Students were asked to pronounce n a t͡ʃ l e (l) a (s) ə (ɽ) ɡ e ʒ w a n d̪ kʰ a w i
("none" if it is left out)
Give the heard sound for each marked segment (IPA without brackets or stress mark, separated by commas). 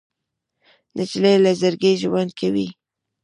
l, z, ɾ